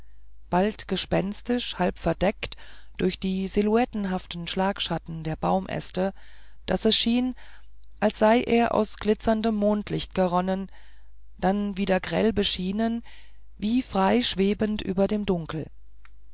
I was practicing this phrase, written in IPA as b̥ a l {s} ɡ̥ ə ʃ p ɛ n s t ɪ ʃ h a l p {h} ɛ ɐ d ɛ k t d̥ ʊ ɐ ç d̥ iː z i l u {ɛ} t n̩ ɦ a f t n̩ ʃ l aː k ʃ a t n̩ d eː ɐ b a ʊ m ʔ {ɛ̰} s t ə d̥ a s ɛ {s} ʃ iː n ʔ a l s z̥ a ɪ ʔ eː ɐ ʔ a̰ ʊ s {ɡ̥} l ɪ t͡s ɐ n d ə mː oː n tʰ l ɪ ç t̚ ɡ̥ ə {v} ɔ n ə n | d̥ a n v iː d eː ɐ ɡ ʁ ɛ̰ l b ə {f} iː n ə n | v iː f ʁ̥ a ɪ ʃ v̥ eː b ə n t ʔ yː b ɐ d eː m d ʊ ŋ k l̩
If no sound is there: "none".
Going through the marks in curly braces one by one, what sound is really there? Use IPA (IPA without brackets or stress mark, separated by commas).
t, f, ɛ, ɛ̰, s, ɡ̥, ʁ, ʃ